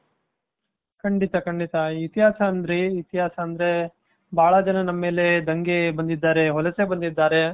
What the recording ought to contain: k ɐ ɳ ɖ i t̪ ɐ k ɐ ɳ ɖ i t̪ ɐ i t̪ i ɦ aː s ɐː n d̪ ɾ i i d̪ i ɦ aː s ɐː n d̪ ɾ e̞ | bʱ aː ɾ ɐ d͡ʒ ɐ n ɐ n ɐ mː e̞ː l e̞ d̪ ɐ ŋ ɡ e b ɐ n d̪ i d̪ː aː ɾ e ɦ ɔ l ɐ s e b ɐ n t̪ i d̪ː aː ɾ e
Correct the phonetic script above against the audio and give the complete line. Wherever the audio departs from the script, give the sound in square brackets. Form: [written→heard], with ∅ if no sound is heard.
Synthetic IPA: k ɐ ɳ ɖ i t̪ ɐ k ɐ ɳ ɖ i t̪ ɐ i t̪ i ɦ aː s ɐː n d̪ ɾ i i [d̪→t̪] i ɦ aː s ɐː n d̪ ɾ e̞ | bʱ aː [ɾ→ɭ] ɐ d͡ʒ ɐ n ɐ n ɐ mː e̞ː l e̞ d̪ ɐ ŋ ɡ e b ɐ n d̪ i d̪ː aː ɾ e ɦ ɔ l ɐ s e b ɐ n [t̪→d̪] i d̪ː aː ɾ e

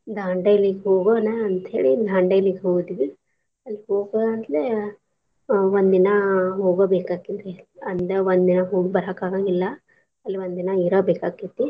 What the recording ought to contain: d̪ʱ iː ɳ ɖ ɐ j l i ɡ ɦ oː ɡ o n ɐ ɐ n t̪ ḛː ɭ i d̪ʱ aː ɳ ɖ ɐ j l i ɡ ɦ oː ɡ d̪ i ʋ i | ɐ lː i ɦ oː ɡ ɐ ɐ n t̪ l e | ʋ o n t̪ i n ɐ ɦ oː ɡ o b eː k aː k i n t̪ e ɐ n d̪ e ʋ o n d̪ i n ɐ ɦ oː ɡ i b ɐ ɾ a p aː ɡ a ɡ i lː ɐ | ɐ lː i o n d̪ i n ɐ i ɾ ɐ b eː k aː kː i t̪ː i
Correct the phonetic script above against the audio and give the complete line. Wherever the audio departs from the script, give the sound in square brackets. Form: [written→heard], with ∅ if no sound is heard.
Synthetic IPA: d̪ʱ [iː→aː] ɳ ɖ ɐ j l i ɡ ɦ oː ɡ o n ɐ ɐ n t̪ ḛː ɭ i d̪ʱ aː ɳ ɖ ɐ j l i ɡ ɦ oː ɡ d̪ i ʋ i | ɐ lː i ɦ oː ɡ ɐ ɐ n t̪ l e | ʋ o n [t̪→d̪] i n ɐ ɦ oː ɡ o b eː k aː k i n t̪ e ɐ n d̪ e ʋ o n d̪ i n ɐ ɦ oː ɡ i b ɐ ɾ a [p→k] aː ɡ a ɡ i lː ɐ | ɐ lː i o n d̪ i n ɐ i ɾ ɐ b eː k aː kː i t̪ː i

